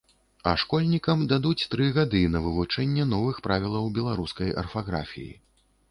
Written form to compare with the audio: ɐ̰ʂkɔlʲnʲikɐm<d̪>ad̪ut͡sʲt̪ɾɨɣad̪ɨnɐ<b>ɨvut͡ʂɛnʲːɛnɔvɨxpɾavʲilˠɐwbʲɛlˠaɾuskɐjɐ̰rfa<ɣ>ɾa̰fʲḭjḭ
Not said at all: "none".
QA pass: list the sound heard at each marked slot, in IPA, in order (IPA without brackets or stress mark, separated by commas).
d̪, v, ɣ